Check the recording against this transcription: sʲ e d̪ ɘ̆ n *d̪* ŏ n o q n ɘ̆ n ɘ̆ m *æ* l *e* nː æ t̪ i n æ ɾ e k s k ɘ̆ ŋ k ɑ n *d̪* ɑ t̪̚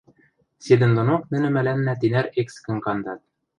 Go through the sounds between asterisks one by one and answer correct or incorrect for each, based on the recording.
correct, correct, incorrect: æ, correct

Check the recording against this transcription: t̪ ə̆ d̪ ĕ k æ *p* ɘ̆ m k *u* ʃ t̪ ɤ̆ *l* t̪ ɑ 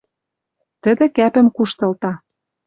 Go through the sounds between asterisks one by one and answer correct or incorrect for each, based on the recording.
correct, correct, correct

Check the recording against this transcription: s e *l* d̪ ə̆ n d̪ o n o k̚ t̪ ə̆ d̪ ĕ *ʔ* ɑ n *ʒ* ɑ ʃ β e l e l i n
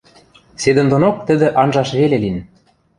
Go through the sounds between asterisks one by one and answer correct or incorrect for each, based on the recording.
incorrect: none, correct, correct

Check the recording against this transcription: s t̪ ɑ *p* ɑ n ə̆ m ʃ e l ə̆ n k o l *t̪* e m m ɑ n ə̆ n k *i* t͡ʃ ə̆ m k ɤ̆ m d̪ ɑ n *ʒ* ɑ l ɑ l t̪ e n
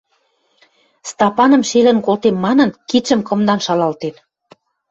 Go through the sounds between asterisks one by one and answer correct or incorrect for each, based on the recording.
correct, correct, correct, incorrect: ʃ

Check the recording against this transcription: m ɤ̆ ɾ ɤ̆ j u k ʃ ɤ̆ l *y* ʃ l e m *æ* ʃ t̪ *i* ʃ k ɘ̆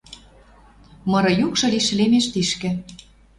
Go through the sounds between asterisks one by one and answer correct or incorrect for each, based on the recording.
incorrect: i, incorrect: e, correct

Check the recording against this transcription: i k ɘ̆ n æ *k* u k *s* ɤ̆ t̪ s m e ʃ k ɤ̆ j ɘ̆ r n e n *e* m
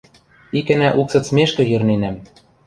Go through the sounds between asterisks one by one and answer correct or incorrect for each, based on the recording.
incorrect: ʔ, correct, incorrect: æ

